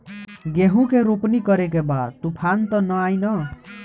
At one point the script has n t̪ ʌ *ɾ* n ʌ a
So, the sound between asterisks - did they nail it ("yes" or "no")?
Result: no